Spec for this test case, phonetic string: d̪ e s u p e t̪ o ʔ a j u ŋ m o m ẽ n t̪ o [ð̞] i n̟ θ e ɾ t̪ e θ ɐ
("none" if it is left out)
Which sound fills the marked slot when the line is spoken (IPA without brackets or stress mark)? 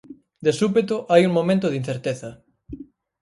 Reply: ð̞